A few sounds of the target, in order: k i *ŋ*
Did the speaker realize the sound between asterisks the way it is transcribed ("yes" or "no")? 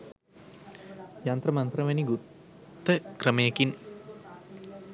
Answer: no